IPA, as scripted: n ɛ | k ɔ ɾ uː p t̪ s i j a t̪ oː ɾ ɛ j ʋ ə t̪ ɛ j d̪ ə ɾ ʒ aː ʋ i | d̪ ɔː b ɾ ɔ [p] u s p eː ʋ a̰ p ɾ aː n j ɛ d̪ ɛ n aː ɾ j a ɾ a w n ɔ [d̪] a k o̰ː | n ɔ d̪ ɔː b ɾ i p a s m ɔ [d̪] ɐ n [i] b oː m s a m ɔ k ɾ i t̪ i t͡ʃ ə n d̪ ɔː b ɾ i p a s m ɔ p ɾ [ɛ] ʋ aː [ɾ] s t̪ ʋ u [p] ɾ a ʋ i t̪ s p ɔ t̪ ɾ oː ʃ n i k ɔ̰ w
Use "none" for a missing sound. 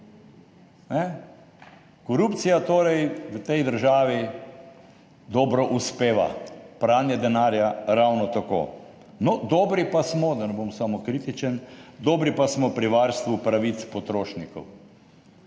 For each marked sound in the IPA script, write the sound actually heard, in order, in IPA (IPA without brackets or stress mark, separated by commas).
ʔ, t̪, d̪, ɛ, i, ɾ, p